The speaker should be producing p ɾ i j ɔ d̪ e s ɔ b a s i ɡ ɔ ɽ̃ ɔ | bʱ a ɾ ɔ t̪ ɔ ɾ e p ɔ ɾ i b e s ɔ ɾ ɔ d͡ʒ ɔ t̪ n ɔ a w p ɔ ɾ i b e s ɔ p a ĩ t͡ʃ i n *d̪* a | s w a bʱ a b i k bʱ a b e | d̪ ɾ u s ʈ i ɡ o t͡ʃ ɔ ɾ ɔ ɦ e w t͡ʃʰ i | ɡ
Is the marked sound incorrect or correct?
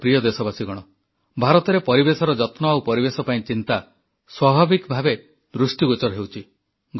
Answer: incorrect